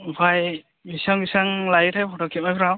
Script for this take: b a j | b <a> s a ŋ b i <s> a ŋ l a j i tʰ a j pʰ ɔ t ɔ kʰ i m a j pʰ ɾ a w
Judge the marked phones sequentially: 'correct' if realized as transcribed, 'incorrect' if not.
incorrect: i, correct

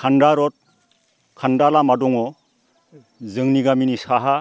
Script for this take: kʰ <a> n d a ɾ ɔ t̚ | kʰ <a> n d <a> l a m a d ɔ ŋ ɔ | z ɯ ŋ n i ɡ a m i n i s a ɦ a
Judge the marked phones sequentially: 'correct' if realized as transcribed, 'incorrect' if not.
correct, correct, correct

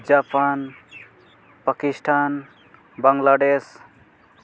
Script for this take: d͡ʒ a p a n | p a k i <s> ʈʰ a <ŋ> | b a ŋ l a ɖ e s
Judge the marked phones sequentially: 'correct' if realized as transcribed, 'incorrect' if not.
correct, incorrect: n

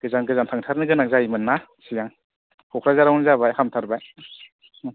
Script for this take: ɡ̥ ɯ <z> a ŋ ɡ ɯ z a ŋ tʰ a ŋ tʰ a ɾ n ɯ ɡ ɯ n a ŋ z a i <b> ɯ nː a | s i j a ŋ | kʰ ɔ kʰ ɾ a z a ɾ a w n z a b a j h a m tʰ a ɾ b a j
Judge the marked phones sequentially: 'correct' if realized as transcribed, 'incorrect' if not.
correct, incorrect: m

